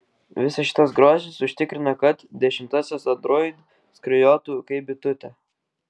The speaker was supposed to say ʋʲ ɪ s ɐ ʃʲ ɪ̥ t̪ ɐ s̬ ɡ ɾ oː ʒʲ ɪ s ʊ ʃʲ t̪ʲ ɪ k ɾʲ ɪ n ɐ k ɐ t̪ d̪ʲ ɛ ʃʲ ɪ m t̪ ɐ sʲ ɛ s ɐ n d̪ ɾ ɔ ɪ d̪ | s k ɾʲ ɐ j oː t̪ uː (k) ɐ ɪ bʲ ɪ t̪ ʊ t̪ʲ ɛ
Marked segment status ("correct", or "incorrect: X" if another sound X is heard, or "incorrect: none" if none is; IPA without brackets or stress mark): correct